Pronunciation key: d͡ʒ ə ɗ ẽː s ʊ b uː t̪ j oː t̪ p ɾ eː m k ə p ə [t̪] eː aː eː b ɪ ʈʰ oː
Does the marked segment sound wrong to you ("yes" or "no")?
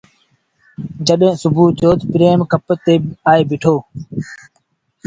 no